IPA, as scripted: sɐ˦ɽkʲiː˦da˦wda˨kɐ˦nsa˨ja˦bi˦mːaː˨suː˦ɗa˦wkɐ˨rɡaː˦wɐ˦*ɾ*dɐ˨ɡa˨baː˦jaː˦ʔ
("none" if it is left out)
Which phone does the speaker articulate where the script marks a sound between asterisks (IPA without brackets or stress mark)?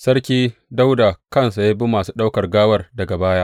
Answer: r